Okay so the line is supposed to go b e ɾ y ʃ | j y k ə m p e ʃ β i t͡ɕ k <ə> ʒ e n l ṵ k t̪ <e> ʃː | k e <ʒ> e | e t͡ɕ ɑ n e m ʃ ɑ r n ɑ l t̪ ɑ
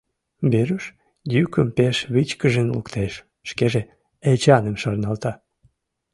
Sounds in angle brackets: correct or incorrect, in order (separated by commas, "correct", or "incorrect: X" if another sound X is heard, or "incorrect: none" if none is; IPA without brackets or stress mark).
correct, correct, correct